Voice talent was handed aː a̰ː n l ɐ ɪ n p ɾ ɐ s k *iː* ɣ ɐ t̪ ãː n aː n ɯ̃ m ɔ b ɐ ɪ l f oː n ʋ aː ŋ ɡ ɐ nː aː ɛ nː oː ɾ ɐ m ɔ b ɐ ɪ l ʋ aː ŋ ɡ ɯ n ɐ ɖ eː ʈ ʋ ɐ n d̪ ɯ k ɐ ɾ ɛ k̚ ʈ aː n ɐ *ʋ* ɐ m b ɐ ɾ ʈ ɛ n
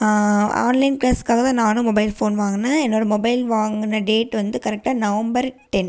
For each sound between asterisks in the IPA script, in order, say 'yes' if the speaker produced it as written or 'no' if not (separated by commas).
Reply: no, yes